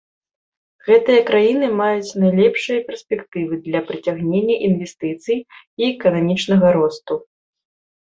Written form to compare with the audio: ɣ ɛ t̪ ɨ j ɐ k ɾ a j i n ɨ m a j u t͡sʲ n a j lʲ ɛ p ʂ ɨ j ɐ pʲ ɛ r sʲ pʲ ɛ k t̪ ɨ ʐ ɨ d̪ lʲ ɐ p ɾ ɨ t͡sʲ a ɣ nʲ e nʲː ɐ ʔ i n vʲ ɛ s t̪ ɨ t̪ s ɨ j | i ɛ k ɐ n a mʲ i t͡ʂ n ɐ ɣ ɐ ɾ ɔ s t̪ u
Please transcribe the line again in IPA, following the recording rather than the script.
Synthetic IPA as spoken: ɣ ɛ t̪ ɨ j ɐ k ɾ a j i n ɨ m a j u t͡sʲ n a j lʲ ɛ p ʂ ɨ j ɐ pʲ ɛ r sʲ pʲ ɛ k t̪ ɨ v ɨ d̪ lʲ ɐ p ɾ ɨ t͡sʲ a ɣ nʲ e nʲː ɐ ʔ i n vʲ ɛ s t̪ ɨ t̪ s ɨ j | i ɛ k ɐ n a mʲ i t͡ʂ n ɐ ɣ ɐ ɾ ɔ s t̪ u